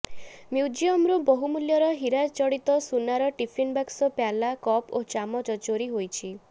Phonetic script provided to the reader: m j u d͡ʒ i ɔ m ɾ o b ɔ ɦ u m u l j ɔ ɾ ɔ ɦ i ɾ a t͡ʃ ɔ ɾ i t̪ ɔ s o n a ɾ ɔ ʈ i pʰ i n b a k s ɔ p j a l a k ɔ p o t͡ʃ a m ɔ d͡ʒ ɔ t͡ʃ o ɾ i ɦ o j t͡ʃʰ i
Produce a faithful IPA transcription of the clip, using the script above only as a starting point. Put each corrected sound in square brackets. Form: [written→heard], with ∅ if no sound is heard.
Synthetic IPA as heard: m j u d͡ʒ i ɔ m ɾ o b ɔ ɦ u m u l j ɔ ɾ ɔ ɦ i ɾ a t͡ʃ ɔ [ɾ→ɽ] i t̪ ɔ s [o→u] n a ɾ ɔ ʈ i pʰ i n b a k s ɔ p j a l a k ɔ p o t͡ʃ a m ɔ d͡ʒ ɔ t͡ʃ o ɾ i ɦ o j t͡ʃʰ i